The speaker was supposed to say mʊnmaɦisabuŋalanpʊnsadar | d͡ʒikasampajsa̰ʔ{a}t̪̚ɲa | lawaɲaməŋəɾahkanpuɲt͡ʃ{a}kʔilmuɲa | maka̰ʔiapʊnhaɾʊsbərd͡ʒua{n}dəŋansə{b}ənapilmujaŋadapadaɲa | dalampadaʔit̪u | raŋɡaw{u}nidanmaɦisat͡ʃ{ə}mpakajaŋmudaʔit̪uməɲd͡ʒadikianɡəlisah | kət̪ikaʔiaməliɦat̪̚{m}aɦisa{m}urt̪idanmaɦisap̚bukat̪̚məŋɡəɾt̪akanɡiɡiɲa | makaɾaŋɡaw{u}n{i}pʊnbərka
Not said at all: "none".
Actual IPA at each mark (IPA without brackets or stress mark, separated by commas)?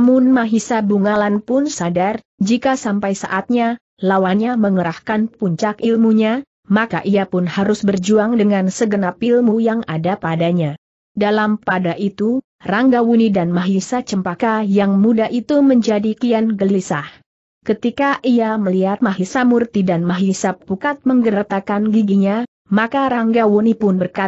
a, a, ŋ, ɡ, u, ə, m, m, u, i